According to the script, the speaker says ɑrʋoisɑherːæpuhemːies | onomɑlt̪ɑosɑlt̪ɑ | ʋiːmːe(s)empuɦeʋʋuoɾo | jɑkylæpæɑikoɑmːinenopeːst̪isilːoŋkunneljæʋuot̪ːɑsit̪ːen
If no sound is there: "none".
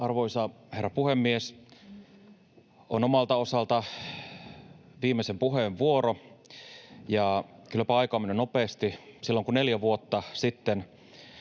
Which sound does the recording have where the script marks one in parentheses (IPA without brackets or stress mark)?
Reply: s